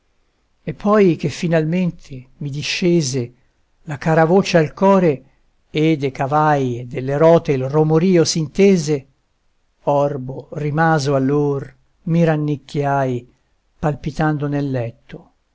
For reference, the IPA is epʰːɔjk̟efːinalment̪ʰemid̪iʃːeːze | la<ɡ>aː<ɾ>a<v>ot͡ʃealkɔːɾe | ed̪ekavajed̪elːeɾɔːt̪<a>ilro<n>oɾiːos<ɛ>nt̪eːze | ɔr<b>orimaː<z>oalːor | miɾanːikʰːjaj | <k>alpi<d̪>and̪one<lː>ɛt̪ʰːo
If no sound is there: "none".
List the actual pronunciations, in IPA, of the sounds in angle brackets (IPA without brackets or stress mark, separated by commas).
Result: k, ɾ, v, e, m, i, b, z, p, t̪, lː